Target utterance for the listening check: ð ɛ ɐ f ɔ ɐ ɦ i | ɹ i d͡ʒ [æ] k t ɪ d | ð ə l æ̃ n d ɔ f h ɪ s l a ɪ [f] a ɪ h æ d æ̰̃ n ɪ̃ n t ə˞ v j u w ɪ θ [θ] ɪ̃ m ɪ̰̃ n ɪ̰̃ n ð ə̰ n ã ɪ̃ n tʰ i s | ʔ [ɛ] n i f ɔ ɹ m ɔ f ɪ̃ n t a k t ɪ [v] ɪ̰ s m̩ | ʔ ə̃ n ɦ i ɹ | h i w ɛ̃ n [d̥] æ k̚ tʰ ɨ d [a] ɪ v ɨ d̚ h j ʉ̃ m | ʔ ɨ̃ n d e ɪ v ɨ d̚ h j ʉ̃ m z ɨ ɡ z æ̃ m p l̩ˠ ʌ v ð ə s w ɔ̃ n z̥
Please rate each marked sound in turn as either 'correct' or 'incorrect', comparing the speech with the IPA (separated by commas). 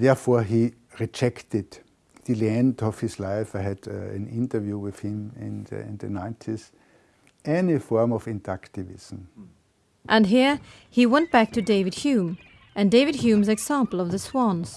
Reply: incorrect, correct, incorrect, correct, correct, incorrect, incorrect